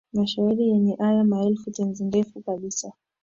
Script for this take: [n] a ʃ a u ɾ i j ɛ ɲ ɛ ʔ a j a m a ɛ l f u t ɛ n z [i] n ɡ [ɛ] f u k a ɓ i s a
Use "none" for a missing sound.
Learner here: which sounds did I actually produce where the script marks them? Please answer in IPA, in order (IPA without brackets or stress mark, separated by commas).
m, i, ɛ